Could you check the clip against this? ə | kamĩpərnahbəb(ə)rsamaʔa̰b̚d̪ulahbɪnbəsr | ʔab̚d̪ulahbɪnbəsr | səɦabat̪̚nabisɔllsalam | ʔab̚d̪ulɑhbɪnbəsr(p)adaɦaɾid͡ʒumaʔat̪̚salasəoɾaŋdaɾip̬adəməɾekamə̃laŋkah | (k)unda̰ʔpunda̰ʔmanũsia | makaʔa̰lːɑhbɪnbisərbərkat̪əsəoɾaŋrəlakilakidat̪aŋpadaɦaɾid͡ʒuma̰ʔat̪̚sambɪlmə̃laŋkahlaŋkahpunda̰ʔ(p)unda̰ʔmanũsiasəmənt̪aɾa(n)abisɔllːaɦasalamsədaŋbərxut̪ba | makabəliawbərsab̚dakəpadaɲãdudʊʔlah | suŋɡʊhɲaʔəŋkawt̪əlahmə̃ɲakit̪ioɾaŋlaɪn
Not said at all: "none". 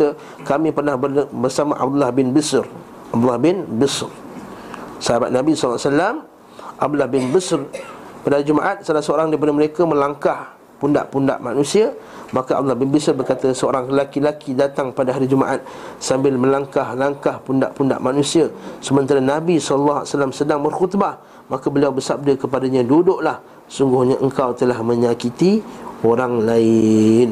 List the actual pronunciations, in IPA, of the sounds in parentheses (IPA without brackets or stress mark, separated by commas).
ə, p, p, p, n